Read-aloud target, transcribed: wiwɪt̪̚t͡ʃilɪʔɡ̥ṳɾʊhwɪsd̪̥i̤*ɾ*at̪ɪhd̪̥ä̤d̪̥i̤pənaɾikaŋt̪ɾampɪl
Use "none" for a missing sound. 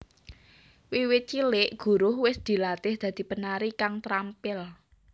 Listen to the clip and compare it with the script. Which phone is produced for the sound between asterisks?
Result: l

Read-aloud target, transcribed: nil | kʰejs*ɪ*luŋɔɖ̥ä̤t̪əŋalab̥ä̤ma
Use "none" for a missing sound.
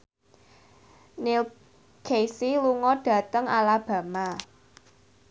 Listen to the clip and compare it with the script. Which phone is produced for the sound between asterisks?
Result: i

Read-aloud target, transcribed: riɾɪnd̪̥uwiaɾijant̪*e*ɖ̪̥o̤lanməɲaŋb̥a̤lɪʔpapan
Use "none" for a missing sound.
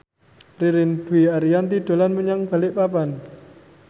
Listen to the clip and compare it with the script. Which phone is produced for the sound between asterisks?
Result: i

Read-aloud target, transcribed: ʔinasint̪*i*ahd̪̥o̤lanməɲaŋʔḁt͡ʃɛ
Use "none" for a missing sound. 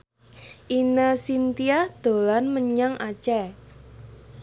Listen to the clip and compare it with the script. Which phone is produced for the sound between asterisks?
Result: i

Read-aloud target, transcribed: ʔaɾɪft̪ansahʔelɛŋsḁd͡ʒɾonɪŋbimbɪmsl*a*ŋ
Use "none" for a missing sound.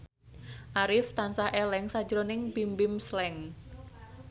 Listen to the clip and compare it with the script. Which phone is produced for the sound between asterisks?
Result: ɛ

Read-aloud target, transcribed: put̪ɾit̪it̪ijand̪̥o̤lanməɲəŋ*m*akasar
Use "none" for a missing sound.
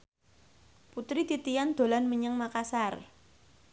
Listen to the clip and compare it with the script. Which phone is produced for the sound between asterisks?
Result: m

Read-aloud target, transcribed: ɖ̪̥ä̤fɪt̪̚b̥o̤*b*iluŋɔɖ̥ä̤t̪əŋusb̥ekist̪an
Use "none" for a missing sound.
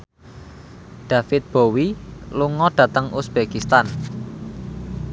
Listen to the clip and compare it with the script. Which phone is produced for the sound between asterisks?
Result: w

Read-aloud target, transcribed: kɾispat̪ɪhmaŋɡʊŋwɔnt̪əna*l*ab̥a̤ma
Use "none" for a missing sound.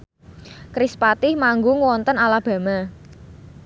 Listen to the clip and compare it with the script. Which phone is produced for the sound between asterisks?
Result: l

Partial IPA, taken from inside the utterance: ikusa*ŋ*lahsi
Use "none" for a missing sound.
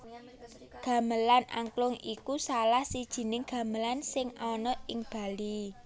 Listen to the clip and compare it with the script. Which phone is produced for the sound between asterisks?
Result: none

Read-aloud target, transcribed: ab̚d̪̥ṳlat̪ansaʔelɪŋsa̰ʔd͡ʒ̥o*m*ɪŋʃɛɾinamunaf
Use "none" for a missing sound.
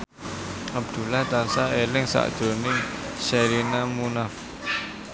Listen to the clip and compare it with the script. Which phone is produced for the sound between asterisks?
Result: n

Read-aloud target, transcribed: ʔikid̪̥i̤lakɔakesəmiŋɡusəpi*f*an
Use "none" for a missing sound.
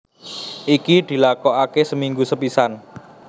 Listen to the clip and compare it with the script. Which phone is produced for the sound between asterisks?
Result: s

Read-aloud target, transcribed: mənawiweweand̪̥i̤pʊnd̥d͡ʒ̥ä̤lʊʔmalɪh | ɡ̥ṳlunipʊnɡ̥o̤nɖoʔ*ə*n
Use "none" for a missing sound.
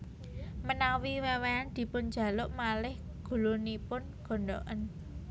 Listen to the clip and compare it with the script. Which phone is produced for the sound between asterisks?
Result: ə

